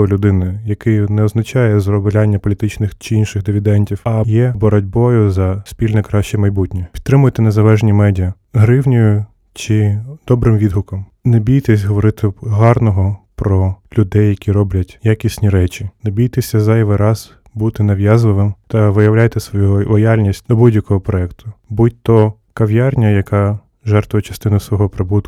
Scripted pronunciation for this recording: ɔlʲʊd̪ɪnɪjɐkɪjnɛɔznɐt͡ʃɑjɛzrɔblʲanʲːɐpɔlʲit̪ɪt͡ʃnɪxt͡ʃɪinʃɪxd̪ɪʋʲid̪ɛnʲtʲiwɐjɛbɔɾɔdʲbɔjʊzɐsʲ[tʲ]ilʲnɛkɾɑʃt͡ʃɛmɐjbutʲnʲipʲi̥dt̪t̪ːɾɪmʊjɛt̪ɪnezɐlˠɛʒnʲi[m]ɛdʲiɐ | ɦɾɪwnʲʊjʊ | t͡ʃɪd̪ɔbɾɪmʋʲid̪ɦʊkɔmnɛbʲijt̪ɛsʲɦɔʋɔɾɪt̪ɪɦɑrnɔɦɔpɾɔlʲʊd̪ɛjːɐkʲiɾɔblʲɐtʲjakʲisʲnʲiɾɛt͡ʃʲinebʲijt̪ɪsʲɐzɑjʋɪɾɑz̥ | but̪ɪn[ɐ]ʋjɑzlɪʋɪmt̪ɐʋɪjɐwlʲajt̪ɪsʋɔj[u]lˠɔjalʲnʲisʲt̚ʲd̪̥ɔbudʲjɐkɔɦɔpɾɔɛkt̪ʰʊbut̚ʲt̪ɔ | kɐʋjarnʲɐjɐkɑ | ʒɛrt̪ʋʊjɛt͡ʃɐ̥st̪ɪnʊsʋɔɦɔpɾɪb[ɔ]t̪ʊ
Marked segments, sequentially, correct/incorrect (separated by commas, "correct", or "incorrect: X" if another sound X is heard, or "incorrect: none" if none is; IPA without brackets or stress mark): incorrect: pʲ, correct, correct, correct, incorrect: u